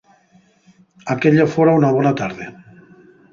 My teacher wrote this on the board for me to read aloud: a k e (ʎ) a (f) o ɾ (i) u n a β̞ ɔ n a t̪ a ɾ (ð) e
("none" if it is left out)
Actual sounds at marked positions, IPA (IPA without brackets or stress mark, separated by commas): ʎ, f, a, ð